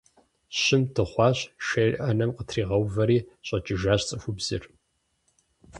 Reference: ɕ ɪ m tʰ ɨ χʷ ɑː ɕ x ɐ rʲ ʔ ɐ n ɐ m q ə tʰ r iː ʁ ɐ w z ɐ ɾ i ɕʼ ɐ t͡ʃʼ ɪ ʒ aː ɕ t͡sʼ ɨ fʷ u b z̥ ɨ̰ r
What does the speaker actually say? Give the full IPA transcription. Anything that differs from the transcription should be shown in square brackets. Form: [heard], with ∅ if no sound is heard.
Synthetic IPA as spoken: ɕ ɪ m tʰ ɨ χʷ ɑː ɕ [ʃ] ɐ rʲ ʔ ɐ n ɐ m q ə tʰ r iː ʁ ɐ w [v] ɐ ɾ [iː] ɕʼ ɐ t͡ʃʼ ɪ ʒ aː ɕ t͡sʼ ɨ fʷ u b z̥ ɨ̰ r